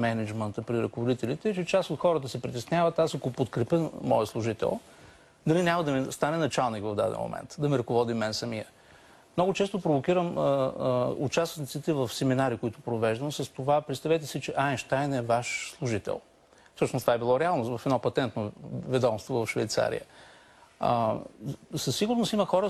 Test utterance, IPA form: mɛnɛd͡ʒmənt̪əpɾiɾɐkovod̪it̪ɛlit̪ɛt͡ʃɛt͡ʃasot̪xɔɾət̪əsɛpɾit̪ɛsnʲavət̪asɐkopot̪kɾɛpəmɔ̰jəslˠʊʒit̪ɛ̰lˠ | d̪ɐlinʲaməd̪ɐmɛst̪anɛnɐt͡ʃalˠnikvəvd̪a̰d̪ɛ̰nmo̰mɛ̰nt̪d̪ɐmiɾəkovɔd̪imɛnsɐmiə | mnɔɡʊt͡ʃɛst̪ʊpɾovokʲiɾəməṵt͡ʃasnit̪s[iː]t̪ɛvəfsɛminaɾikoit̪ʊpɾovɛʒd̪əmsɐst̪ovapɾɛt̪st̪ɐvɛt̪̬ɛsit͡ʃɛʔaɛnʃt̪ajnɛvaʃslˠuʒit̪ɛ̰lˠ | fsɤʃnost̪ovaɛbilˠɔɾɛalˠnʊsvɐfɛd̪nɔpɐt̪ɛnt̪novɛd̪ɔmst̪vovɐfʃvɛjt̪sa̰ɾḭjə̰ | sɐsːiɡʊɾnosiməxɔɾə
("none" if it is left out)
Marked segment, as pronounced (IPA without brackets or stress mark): i